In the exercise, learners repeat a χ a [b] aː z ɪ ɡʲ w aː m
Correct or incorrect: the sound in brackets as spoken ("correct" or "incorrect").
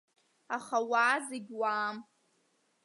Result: incorrect